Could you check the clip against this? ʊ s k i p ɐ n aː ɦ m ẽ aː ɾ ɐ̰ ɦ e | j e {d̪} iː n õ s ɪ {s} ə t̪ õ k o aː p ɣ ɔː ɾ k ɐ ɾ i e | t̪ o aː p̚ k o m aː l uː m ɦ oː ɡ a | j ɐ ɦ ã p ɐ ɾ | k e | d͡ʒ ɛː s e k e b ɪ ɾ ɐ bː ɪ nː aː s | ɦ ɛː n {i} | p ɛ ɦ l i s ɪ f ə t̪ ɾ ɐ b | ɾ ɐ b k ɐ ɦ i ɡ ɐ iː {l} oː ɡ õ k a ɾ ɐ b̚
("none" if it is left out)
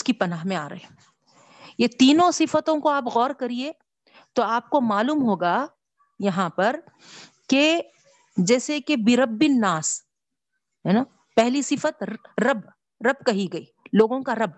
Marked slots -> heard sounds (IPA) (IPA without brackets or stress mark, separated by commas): t̪, f, a, l